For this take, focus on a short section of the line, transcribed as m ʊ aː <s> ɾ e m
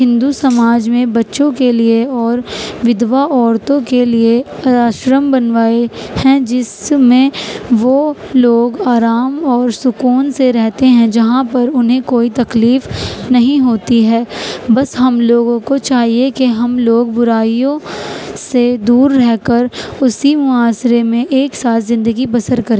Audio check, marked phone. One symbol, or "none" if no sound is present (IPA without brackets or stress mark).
s